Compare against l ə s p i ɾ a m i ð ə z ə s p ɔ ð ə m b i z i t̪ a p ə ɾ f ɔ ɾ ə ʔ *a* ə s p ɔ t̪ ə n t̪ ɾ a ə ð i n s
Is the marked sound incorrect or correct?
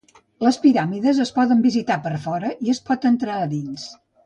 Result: incorrect